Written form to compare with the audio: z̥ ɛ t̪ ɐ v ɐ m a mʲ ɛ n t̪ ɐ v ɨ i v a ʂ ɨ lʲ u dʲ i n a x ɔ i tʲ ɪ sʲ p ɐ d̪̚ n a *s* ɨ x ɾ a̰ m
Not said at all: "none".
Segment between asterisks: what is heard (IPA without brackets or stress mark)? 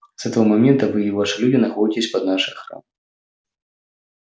ʂ